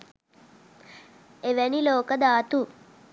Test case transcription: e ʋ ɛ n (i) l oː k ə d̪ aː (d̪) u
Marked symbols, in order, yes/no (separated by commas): yes, no